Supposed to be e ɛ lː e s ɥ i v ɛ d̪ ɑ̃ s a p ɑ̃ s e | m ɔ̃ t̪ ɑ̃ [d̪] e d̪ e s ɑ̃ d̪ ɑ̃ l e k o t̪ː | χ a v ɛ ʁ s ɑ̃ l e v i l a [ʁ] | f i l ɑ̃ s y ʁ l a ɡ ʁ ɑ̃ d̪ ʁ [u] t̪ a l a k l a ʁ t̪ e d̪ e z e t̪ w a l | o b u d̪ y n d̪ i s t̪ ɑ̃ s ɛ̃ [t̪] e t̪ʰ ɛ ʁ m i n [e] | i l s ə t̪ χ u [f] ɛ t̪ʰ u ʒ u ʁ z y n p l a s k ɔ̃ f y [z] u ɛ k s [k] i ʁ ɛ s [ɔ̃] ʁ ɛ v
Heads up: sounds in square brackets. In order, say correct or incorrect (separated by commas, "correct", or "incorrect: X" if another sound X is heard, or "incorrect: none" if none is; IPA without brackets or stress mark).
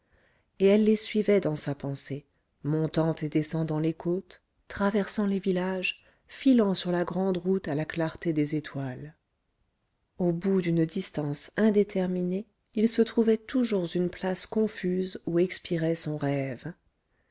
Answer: incorrect: t̪, incorrect: ʒ, correct, incorrect: d̪, correct, incorrect: v, correct, incorrect: p, correct